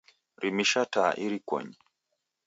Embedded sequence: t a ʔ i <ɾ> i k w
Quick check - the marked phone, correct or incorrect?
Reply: correct